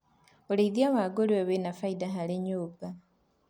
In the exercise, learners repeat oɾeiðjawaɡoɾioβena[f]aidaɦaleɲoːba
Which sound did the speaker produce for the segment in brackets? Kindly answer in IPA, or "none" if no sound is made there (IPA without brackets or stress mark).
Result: f